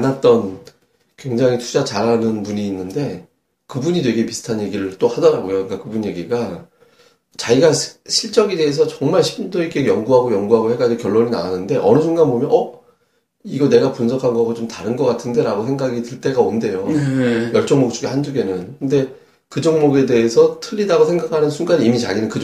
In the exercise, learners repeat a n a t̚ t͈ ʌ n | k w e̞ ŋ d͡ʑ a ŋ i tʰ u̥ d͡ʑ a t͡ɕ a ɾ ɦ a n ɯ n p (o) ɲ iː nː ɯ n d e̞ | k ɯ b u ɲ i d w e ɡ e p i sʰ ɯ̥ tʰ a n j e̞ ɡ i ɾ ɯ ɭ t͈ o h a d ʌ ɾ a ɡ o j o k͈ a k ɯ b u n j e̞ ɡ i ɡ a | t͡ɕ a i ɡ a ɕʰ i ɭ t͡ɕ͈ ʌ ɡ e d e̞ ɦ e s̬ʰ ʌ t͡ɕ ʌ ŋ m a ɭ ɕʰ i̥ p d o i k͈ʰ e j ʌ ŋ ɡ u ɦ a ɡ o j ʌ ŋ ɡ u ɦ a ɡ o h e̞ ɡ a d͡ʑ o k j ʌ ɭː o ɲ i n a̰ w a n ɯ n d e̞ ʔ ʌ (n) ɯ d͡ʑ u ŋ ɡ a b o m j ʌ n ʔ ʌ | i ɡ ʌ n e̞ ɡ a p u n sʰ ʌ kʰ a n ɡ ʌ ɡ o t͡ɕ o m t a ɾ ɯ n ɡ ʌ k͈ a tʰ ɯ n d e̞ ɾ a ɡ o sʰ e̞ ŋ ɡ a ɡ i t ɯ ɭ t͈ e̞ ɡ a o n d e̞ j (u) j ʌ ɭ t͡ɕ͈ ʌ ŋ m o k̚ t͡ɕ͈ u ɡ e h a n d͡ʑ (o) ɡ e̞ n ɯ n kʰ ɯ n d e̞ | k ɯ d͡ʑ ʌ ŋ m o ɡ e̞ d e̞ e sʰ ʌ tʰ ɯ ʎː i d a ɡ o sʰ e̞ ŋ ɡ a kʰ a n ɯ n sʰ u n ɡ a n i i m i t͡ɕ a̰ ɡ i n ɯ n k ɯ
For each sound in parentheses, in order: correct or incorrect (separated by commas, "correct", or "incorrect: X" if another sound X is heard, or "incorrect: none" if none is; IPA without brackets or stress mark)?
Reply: incorrect: u, correct, incorrect: o, incorrect: u